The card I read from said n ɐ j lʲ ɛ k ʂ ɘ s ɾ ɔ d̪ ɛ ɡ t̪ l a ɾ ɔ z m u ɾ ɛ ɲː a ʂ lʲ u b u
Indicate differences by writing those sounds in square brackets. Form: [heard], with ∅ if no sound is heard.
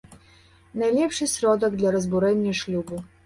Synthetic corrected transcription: n [a] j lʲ ɛ [p] ʂ ɘ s ɾ ɔ d̪ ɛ ɡ [d̪] l a ɾ ɔ z [b] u ɾ ɛ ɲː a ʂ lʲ u b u